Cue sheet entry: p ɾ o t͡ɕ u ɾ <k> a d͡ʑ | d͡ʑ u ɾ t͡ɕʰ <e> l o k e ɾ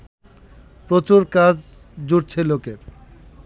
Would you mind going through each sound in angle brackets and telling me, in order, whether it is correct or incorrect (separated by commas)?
correct, correct